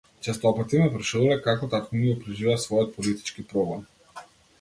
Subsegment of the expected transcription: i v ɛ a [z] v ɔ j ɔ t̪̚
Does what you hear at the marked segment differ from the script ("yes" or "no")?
yes